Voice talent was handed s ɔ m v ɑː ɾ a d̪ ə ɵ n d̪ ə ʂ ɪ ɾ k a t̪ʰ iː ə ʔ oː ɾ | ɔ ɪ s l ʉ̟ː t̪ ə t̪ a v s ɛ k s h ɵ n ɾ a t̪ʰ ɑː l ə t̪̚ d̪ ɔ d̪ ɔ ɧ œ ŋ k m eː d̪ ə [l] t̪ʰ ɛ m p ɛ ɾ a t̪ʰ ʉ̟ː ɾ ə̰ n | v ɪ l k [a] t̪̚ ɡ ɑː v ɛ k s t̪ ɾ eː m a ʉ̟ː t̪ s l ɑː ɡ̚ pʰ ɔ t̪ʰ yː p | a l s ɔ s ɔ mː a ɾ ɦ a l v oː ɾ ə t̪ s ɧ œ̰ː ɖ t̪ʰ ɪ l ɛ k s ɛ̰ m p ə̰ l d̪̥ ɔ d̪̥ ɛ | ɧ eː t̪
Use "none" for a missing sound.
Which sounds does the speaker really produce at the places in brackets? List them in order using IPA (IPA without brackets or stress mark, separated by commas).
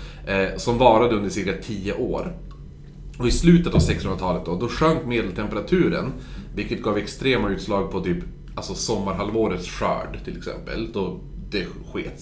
l, ə